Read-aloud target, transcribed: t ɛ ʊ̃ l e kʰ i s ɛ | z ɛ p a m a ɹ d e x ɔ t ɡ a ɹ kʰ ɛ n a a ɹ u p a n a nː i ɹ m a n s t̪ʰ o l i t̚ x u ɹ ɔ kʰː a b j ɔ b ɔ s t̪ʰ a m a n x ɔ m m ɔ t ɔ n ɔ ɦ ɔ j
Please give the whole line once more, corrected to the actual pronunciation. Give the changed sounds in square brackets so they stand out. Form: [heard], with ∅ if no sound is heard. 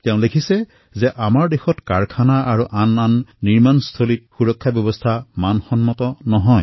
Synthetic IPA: t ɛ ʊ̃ l e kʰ i s ɛ | z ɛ [ʔ] a m a ɹ d e x ɔ t [k] a ɹ kʰ [a] n a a ɹ u [ʔ] a n a nː i ɹ m a n s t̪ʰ o l i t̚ x u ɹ ɔ kʰː a b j ɔ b ɔ s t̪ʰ a m a n x ɔ [n] m ɔ t ɔ n ɔ ɦ ɔ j